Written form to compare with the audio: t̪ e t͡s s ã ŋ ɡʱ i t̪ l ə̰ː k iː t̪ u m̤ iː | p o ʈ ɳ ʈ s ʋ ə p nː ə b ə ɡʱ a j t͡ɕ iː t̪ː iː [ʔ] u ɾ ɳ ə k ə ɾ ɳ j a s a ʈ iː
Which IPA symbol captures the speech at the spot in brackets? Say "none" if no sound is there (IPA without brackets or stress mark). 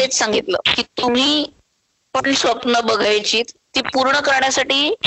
p